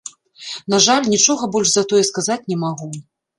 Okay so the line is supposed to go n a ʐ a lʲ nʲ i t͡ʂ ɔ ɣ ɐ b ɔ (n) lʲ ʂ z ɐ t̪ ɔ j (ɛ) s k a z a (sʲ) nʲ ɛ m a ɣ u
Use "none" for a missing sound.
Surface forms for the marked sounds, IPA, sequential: none, ɛ, t͡sʲ

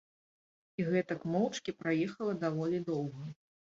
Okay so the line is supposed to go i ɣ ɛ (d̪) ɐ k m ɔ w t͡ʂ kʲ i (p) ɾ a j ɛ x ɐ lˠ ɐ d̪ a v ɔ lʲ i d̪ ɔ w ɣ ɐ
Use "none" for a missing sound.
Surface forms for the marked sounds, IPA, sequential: t̪, p

